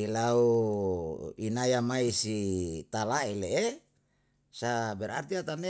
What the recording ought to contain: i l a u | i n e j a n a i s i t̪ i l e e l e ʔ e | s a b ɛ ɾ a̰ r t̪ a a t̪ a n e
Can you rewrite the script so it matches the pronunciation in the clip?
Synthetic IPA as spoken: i l a u | i n a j a m a i s i t̪ a l a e l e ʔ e | s a b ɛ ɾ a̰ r t̪ i a t̪ a n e